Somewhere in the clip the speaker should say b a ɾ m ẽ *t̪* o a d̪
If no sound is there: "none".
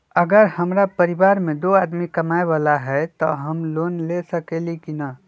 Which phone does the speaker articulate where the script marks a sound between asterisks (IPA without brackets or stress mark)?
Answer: d̪